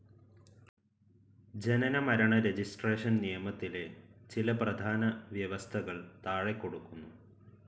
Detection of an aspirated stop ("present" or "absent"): present